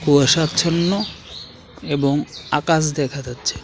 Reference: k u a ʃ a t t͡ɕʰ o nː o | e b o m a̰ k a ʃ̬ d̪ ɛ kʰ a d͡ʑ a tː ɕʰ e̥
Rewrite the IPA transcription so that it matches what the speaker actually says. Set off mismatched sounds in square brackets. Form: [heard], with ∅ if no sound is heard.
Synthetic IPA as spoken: k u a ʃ a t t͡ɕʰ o nː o | e b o [ŋ] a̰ k a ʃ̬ d̪ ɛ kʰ a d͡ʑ a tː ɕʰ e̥